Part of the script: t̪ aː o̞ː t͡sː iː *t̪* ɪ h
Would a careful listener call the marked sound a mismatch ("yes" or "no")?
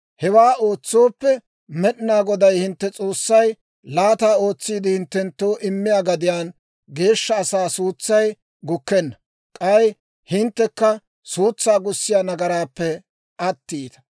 yes